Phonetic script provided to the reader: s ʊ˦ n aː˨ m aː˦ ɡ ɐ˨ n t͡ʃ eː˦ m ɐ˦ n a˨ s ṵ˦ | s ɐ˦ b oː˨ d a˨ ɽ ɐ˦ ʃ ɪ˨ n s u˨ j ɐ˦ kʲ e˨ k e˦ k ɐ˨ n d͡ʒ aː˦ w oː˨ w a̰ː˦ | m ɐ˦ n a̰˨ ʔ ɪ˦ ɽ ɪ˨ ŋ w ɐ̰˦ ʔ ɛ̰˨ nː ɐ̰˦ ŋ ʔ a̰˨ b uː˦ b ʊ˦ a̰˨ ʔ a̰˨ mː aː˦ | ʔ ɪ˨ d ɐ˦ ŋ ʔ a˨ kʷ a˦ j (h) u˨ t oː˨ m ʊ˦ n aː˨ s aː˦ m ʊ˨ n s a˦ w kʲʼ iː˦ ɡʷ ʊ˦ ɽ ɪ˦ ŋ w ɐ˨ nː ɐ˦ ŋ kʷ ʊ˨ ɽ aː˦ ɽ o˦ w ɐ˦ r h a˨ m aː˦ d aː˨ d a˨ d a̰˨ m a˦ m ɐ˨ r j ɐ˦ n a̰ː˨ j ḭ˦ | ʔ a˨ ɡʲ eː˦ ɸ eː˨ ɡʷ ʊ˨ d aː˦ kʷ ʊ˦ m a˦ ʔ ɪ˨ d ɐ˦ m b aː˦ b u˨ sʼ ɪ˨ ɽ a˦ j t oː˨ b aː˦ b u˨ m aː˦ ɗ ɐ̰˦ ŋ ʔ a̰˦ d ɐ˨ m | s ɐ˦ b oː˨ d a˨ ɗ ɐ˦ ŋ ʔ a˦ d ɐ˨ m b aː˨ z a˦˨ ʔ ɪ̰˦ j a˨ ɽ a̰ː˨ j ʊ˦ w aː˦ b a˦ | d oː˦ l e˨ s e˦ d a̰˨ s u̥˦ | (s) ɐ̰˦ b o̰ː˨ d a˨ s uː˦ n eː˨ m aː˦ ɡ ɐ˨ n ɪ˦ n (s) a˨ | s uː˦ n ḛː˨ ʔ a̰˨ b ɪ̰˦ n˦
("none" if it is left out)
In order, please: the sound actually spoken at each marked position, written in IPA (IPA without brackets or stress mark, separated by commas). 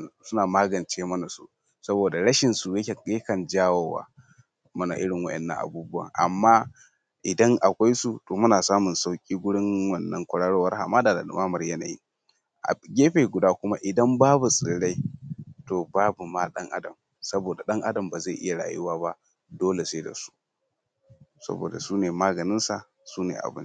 s, s, s